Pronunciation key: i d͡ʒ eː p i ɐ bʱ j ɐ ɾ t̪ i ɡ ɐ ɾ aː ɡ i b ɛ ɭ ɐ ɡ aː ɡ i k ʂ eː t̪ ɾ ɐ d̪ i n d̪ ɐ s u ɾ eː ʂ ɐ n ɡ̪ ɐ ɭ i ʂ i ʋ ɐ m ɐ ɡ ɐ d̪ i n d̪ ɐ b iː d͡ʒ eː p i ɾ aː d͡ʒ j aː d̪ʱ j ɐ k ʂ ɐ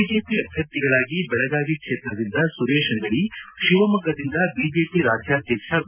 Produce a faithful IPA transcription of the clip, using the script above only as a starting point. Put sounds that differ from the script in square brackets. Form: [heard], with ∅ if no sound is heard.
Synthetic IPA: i d͡ʒ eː p i ɐ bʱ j ɐ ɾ t̪ i ɡ ɐ [ɭ] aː ɡ i b ɛ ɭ ɐ ɡ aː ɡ i k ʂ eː t̪ ɾ ɐ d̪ i n d̪ ɐ s u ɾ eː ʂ ɐ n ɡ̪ ɐ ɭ i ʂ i ʋ ɐ m ɐ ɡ ɐ d̪ i n d̪ ɐ b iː d͡ʒ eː p i ɾ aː d͡ʒ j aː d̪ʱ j ɐ k ʂ ɐ